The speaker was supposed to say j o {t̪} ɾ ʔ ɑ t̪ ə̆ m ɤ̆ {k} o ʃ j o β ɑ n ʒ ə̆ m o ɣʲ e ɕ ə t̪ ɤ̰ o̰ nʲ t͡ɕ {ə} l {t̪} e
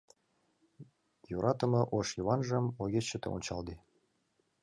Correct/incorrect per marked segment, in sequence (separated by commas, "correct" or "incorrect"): incorrect, incorrect, incorrect, incorrect